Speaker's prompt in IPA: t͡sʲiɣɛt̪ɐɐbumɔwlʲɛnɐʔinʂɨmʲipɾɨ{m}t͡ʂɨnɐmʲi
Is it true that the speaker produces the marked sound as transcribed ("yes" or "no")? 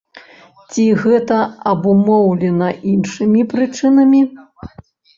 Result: no